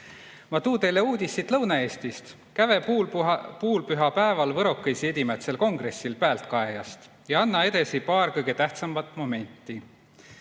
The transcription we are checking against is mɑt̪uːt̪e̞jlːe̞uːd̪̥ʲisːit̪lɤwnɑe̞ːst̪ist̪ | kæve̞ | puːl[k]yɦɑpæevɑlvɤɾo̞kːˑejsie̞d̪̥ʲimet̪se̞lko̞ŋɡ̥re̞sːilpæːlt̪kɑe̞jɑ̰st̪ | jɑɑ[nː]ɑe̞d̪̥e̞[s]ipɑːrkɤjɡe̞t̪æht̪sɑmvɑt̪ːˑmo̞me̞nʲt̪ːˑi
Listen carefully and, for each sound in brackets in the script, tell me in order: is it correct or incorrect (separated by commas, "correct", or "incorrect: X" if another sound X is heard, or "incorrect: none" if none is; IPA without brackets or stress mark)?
incorrect: p, correct, correct